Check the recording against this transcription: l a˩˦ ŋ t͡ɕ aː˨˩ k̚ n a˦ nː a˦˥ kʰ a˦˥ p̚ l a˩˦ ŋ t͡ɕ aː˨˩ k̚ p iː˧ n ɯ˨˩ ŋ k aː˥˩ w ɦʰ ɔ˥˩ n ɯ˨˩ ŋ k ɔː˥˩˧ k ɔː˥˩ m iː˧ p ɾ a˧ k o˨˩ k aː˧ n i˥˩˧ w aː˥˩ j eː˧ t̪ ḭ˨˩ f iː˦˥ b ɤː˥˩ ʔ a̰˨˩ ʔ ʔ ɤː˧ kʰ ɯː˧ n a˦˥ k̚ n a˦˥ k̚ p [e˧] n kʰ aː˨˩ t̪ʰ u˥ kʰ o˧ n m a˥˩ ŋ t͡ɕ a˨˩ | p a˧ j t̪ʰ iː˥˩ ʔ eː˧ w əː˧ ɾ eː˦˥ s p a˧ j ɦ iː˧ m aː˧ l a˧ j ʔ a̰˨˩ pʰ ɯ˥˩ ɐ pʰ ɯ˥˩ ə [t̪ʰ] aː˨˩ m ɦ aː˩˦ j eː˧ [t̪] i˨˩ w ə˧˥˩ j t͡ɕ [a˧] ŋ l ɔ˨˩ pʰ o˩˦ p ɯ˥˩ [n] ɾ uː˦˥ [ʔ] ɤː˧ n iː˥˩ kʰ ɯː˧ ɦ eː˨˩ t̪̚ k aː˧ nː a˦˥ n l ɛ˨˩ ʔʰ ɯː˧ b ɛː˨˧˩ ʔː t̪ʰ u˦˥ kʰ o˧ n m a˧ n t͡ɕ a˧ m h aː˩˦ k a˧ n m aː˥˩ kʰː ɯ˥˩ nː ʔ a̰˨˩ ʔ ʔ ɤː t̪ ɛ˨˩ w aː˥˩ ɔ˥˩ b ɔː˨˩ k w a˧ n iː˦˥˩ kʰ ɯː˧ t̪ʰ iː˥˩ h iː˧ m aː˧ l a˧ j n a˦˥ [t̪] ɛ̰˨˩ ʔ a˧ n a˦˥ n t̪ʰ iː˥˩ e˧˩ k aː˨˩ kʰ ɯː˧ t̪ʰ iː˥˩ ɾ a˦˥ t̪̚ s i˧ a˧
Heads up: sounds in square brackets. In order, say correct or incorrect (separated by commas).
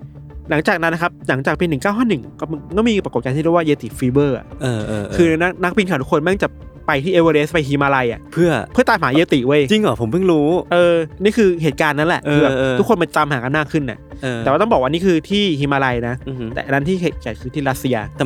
incorrect, incorrect, correct, incorrect, incorrect, correct, correct